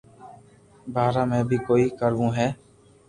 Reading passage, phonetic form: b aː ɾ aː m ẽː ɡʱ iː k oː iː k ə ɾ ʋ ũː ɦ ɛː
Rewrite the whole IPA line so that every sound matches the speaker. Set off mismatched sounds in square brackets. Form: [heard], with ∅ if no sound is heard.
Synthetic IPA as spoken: b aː ɾ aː m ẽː [bʱ] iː k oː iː k ə ɾ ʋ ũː ɦ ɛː